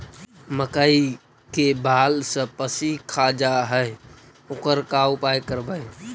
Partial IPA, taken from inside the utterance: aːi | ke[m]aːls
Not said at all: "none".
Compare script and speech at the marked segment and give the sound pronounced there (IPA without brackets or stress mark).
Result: b